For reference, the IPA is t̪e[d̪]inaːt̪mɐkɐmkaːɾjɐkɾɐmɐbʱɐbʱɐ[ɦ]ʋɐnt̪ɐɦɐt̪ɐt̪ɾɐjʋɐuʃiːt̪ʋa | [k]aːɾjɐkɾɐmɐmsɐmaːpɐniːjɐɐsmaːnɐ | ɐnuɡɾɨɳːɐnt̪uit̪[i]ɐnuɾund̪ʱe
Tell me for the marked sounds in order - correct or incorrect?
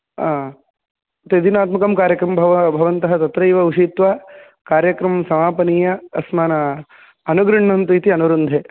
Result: correct, incorrect: none, correct, correct

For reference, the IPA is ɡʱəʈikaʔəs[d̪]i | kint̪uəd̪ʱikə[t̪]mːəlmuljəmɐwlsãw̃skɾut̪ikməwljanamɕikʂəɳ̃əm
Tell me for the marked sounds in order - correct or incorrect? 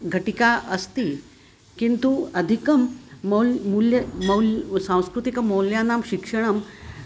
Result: incorrect: t̪, incorrect: none

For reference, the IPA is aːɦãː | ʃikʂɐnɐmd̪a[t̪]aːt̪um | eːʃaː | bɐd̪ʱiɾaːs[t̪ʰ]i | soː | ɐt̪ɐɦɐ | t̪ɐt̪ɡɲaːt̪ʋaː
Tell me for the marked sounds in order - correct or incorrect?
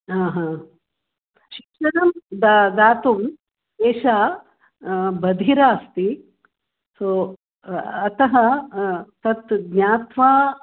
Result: incorrect: d̪, incorrect: t̪

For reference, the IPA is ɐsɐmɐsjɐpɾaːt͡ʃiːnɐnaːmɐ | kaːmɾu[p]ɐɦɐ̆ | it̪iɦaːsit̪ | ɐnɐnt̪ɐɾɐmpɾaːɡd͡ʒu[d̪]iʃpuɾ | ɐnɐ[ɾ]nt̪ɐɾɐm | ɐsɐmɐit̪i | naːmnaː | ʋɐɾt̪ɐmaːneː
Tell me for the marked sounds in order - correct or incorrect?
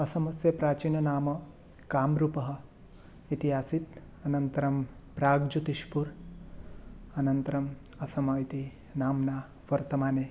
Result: correct, incorrect: t̪, incorrect: none

